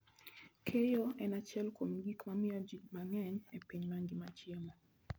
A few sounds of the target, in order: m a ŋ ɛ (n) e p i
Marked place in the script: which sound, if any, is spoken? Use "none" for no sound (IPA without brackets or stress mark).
ɲ